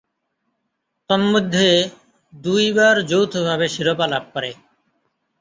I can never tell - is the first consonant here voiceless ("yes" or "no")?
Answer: yes